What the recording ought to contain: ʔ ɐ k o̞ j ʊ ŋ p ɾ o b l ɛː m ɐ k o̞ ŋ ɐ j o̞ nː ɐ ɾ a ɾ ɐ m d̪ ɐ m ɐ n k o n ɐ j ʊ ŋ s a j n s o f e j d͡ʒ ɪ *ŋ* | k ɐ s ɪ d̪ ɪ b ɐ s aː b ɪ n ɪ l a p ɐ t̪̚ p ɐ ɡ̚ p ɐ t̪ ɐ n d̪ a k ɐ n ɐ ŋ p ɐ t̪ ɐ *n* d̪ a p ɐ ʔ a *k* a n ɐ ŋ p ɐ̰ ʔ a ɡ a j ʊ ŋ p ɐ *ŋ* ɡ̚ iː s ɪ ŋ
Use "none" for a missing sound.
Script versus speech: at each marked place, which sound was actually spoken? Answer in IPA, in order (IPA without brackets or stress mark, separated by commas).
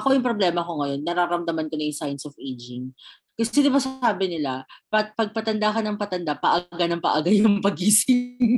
ŋ, n, ɡ, none